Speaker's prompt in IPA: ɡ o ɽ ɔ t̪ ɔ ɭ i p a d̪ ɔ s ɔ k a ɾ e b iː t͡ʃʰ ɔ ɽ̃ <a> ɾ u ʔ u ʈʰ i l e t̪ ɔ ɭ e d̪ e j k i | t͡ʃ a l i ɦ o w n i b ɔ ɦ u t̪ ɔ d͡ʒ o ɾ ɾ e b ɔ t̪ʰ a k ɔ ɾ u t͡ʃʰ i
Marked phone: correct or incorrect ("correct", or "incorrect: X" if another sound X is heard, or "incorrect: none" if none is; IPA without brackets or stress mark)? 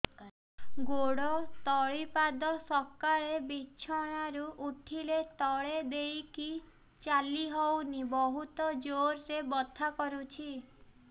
correct